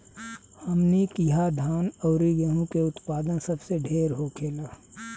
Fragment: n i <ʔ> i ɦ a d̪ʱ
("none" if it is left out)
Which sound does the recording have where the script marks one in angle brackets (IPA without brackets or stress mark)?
k